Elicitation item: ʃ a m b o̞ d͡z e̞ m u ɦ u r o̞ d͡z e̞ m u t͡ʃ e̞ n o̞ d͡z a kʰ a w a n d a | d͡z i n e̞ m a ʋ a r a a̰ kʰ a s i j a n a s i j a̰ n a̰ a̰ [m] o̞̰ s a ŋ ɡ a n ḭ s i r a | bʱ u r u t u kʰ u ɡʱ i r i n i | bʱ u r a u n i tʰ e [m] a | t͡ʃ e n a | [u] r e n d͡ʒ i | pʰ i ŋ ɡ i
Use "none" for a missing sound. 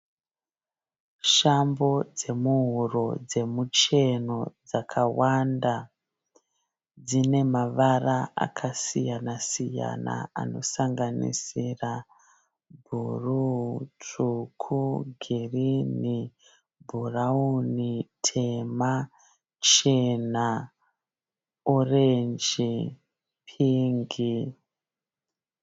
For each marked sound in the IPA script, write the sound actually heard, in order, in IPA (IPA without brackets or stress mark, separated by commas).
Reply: n, m, o